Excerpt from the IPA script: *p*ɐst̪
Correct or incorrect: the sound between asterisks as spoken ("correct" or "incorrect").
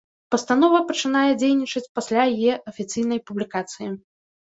correct